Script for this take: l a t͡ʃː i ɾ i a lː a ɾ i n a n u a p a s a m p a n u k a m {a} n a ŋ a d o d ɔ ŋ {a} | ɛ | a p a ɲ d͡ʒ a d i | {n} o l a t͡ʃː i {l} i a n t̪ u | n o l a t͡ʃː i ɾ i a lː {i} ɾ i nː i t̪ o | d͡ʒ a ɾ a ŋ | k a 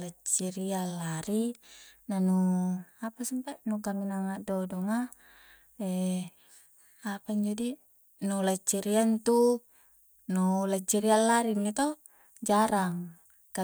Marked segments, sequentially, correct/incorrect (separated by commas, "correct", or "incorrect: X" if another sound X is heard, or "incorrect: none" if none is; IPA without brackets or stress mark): incorrect: i, correct, correct, incorrect: ɾ, incorrect: a